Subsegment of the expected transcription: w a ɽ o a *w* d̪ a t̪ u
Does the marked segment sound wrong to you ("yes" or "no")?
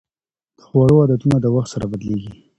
yes